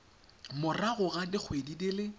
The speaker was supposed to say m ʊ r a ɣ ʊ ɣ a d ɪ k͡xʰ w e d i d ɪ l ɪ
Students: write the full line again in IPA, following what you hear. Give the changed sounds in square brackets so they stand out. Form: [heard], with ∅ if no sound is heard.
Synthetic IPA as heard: m ʊ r a ɣ ʊ ɣ a d ɪ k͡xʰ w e d i d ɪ l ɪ